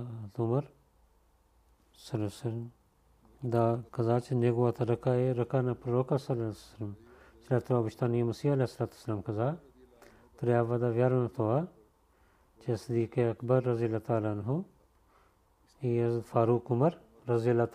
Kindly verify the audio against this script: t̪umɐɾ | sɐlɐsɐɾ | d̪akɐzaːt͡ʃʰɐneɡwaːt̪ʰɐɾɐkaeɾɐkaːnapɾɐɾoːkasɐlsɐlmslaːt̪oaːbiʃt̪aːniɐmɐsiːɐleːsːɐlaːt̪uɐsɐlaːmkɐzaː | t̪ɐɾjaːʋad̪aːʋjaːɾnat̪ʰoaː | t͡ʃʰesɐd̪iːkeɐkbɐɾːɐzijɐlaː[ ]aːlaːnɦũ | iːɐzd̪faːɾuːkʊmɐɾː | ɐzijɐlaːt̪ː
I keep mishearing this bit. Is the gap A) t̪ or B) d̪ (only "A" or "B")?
A